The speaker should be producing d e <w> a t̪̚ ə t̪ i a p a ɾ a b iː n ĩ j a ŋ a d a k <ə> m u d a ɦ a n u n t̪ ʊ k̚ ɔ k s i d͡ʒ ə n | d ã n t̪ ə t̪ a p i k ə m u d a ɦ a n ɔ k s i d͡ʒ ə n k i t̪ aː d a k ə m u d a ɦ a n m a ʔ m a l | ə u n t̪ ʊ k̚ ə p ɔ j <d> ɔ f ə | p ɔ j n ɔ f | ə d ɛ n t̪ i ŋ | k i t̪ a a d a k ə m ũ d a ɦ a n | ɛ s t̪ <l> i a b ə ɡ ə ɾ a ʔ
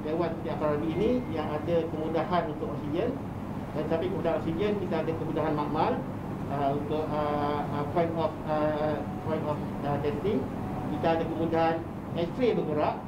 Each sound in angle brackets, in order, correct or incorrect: correct, correct, incorrect, incorrect

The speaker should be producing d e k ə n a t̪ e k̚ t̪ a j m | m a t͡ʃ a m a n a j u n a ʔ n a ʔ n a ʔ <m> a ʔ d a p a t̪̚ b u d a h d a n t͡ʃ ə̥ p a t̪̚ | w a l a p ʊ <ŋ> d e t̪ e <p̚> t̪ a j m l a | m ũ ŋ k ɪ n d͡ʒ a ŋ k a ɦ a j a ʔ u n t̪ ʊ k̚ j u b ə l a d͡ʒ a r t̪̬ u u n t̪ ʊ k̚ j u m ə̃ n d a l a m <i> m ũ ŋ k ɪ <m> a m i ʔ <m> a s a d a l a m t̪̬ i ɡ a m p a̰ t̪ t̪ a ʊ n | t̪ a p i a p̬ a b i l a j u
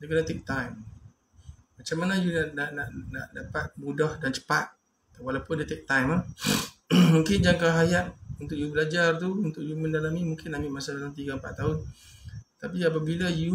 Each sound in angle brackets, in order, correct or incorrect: incorrect, incorrect, incorrect, correct, incorrect, correct

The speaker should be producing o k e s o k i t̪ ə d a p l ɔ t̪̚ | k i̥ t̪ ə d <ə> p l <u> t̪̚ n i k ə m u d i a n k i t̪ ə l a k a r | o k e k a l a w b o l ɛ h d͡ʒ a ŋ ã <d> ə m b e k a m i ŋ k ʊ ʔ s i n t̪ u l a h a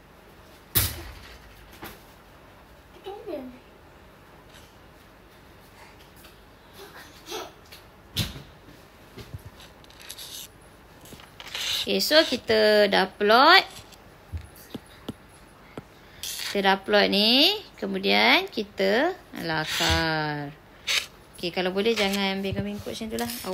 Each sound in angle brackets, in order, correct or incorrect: incorrect, incorrect, incorrect

